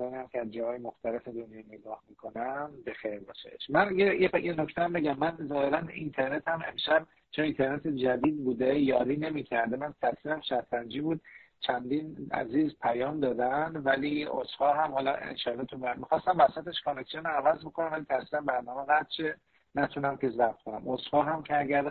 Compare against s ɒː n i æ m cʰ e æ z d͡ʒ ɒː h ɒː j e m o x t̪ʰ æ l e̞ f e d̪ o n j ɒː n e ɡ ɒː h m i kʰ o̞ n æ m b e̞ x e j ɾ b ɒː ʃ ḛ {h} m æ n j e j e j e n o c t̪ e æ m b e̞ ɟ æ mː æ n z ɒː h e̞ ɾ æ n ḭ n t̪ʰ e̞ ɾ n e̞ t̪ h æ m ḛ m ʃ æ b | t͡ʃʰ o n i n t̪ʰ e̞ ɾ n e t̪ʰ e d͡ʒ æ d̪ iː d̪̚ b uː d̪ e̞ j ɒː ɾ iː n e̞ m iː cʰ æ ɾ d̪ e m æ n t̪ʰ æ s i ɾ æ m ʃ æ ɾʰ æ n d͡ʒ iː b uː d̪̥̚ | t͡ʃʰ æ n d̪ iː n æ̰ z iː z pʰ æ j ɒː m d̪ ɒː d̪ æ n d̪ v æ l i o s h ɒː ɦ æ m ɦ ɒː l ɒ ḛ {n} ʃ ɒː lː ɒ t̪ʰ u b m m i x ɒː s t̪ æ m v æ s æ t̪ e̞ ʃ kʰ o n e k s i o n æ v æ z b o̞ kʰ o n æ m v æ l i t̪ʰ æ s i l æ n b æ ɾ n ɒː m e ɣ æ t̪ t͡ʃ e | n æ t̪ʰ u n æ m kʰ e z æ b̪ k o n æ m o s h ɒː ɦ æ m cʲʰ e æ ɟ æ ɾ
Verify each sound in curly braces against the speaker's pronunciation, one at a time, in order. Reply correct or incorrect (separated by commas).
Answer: incorrect, correct